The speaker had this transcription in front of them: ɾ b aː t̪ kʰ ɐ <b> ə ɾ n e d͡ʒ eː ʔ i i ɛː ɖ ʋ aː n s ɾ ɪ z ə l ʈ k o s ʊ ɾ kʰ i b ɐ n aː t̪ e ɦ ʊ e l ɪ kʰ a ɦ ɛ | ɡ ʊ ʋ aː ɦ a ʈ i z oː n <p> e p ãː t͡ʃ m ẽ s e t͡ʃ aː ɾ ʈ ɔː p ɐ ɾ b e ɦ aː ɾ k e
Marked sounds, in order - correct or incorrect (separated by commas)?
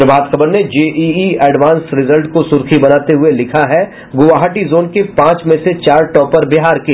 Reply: correct, incorrect